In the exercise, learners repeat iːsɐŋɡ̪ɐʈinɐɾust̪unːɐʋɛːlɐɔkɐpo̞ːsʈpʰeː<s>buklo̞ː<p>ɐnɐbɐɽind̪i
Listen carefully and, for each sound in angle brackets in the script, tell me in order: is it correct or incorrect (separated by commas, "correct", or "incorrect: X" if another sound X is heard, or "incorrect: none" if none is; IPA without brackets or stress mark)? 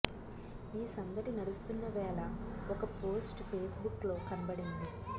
correct, incorrect: k